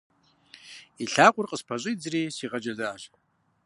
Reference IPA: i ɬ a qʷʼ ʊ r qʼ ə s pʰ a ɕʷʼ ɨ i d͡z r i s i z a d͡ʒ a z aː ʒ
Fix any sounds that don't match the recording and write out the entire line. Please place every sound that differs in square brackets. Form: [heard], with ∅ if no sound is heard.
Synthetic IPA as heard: i ɬ a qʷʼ ʊ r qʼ ə s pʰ a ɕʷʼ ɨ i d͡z r i s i [ʁ] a d͡ʒ a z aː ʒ